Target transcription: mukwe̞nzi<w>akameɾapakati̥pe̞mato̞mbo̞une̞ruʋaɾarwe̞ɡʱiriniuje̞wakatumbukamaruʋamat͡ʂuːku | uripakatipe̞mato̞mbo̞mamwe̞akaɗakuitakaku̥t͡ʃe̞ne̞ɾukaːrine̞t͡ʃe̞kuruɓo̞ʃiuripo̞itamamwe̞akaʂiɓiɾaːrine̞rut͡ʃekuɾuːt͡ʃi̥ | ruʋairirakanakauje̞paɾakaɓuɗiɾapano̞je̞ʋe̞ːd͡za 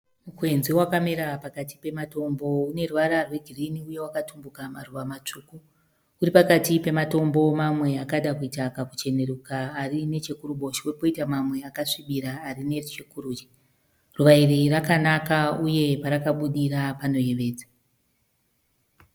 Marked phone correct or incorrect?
correct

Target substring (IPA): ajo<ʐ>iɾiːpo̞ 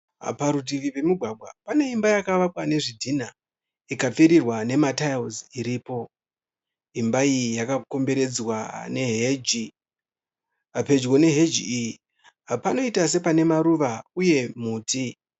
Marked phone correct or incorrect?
incorrect: z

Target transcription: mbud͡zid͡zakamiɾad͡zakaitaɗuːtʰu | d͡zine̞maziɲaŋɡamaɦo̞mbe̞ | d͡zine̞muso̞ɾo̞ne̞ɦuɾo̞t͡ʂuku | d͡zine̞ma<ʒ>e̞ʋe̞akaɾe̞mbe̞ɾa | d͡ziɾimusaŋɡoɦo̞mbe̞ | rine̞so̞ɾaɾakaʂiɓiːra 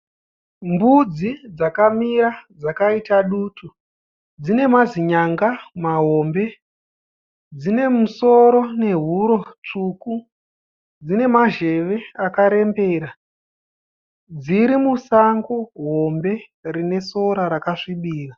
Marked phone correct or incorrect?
correct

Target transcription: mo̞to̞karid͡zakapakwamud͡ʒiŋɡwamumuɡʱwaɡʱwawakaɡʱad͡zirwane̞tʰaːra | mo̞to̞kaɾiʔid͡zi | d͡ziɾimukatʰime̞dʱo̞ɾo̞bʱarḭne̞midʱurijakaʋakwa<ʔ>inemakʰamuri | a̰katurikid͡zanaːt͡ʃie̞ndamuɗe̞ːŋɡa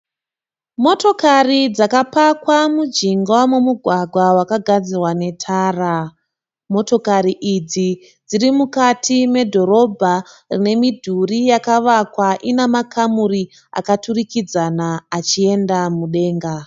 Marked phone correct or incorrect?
correct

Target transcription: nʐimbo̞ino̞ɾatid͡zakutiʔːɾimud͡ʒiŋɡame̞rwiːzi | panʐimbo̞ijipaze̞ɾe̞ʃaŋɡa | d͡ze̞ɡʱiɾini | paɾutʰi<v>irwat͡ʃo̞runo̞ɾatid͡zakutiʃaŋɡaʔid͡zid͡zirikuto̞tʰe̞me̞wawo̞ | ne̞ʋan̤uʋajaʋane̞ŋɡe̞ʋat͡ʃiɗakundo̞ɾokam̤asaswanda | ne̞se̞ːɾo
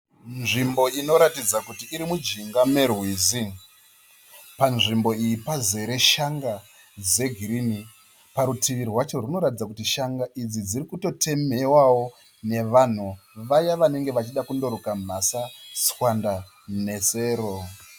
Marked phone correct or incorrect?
incorrect: ʋ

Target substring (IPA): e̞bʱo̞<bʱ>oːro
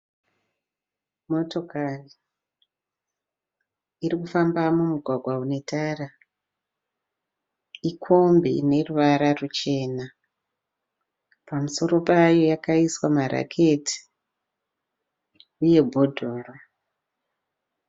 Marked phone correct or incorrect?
incorrect: dʱ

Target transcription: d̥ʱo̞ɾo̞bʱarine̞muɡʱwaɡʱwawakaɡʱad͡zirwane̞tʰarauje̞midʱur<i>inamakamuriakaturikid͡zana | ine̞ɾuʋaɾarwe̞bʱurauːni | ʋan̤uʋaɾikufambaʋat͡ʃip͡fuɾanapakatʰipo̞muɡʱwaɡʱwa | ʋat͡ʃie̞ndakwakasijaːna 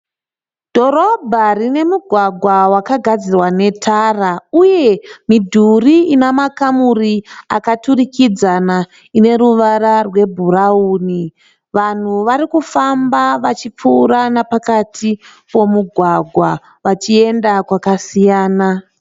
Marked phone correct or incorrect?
correct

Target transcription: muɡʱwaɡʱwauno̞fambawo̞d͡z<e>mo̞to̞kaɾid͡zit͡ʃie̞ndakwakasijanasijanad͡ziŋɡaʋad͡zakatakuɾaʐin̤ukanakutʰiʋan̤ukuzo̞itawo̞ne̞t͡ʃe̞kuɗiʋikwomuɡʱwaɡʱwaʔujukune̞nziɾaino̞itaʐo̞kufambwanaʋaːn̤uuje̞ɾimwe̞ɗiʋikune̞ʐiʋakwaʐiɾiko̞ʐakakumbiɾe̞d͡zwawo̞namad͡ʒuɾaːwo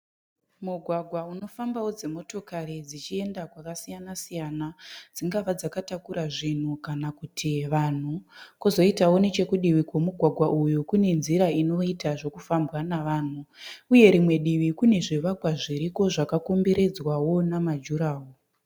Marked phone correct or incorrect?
correct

